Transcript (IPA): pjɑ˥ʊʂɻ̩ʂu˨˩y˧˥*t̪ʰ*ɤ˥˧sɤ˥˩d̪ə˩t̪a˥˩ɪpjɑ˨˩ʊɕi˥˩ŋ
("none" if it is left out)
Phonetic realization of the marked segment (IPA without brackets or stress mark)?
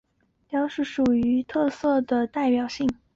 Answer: t̪ʰ